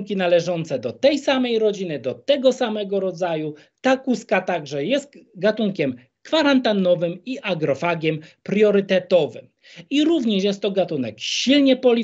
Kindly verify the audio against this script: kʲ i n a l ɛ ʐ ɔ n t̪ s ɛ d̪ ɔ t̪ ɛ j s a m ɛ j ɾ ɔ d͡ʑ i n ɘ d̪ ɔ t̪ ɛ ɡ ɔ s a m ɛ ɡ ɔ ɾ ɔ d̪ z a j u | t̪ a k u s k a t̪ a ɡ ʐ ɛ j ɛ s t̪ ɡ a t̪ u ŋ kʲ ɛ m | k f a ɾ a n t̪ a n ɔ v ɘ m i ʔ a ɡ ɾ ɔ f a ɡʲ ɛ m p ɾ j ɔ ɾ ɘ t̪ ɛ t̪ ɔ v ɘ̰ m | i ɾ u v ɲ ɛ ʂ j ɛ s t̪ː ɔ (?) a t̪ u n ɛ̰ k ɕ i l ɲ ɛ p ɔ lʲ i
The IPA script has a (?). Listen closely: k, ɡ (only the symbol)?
ɡ